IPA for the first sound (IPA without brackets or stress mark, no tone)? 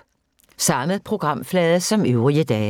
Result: s